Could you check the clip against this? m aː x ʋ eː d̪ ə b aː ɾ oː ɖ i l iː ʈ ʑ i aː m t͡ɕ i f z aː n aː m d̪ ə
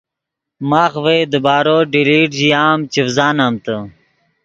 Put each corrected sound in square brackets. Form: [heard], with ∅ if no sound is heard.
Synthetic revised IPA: m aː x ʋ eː d̪ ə b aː ɾ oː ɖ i l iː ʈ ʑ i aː m t͡ɕ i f z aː n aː m [t̪] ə